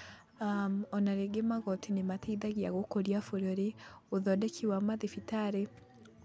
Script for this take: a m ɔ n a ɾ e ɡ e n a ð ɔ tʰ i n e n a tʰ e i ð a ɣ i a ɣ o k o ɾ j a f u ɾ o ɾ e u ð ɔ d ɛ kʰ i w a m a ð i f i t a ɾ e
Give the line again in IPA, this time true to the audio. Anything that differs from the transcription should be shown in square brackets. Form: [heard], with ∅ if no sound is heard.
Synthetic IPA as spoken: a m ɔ n a ɾ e ɡ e [m] a [ɣ] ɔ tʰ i n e [m] a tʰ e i ð a ɣ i a ɣ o k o ɾ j a f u ɾ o ɾ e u ð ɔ d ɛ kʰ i w a m a ð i f i t a ɾ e